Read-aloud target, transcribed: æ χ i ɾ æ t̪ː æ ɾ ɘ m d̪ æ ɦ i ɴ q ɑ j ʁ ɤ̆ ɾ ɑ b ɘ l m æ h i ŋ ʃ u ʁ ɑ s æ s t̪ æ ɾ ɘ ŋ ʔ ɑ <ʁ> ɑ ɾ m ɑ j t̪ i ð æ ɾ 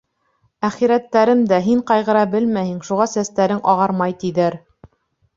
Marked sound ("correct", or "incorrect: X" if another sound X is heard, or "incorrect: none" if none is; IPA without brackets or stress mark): correct